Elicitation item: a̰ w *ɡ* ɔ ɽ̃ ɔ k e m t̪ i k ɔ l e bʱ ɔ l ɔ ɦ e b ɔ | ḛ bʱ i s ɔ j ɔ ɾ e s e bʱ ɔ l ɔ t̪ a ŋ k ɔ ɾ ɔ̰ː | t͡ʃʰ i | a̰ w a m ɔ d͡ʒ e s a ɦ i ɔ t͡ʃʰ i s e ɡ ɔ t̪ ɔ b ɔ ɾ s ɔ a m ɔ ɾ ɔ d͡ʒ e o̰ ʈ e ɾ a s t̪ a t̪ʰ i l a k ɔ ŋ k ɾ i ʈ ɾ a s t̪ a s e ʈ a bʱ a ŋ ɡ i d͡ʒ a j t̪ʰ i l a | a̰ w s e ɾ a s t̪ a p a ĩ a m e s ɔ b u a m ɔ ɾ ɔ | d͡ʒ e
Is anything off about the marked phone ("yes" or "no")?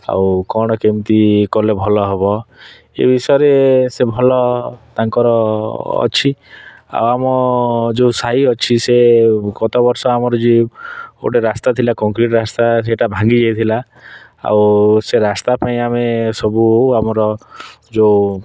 yes